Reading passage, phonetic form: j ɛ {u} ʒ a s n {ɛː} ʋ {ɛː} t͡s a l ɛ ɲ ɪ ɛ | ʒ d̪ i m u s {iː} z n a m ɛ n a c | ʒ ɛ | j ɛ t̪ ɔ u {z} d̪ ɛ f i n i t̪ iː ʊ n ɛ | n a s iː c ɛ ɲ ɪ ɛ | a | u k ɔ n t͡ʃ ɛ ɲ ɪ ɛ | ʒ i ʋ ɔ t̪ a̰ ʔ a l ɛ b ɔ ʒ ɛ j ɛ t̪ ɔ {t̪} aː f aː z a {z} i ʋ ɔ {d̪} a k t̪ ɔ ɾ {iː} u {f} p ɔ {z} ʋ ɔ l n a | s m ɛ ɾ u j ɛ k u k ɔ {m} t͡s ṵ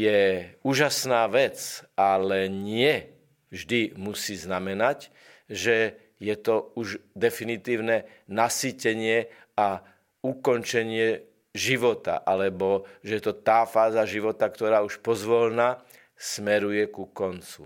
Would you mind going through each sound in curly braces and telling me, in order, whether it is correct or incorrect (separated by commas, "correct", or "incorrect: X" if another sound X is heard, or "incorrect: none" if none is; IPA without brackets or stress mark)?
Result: incorrect: uː, incorrect: aː, incorrect: ɛ, correct, incorrect: ʒ, correct, incorrect: ʒ, incorrect: t̪, incorrect: aː, incorrect: ʃ, correct, incorrect: n